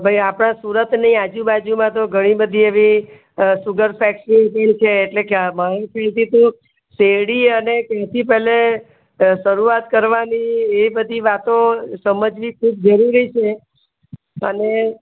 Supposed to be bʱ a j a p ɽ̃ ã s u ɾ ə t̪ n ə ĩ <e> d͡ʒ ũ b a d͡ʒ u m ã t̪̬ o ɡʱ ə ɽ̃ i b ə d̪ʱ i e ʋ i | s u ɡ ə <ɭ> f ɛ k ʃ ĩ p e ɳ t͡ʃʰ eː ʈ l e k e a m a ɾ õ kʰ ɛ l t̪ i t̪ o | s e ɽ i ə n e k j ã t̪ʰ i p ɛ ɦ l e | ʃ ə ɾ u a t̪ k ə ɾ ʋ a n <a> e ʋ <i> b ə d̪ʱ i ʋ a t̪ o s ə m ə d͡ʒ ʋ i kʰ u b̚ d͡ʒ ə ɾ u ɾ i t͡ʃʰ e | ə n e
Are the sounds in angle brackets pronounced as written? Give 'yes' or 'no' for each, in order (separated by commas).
no, no, no, yes